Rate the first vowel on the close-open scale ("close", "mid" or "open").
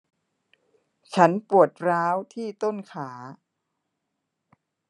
open